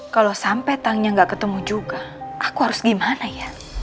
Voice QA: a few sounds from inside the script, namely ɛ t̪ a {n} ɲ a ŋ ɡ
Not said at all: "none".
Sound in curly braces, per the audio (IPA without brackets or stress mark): ŋ